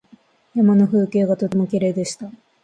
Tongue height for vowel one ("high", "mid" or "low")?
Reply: low